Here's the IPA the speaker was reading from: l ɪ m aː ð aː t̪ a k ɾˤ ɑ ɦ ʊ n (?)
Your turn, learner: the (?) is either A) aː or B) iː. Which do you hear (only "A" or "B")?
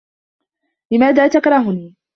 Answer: B